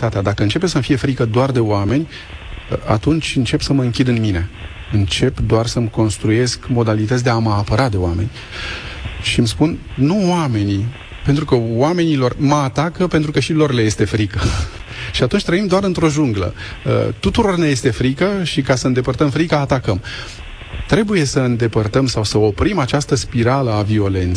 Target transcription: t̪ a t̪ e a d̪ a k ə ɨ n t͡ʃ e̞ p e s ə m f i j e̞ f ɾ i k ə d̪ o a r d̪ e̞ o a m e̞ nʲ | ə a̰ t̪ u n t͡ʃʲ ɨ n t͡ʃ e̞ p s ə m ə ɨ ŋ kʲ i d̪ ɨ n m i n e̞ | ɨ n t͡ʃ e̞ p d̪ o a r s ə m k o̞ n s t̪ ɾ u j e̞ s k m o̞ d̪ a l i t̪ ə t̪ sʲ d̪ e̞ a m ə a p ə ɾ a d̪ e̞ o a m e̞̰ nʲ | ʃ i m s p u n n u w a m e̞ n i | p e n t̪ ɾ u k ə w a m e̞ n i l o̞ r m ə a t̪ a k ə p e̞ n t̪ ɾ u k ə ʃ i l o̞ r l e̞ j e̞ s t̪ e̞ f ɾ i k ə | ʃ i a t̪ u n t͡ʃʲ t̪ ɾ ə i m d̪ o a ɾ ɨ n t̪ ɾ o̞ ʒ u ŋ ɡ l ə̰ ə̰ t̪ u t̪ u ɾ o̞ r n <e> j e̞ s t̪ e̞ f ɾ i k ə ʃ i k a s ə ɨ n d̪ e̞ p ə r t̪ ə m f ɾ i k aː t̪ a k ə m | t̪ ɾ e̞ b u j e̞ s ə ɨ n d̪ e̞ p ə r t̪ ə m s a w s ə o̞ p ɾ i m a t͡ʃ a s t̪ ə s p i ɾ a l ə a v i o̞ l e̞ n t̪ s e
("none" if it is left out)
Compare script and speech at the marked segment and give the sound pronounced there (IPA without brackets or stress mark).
e